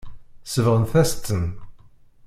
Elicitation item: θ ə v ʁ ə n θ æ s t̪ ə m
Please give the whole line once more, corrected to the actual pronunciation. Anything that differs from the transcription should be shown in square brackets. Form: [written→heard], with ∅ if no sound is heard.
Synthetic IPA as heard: [θ→s] ə v ʁ ə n θ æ s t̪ ə [m→n]